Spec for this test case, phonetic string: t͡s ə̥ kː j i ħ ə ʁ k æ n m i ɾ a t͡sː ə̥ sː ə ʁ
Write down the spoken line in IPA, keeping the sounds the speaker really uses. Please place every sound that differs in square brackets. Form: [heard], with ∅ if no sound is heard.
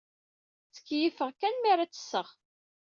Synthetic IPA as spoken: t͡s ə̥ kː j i [f] ə ʁ k æ n m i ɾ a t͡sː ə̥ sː ə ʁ